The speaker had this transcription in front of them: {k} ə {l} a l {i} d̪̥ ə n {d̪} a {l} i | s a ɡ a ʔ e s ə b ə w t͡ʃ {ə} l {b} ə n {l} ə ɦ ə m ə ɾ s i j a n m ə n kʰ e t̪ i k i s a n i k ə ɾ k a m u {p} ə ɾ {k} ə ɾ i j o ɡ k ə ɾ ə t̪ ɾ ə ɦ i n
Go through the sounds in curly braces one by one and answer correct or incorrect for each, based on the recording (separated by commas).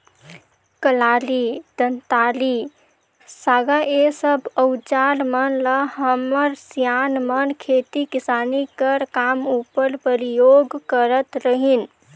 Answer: correct, correct, correct, incorrect, correct, incorrect, incorrect, correct, correct, incorrect